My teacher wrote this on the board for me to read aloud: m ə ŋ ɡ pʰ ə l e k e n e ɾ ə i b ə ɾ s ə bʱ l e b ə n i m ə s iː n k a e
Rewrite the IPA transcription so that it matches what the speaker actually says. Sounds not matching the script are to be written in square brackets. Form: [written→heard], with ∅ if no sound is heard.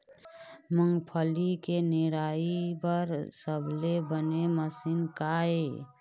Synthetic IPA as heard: m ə ŋ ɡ pʰ ə l [e→i] k e n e ɾ [ə→a] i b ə ɾ s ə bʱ l e b ə n [i→e] m ə s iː n k a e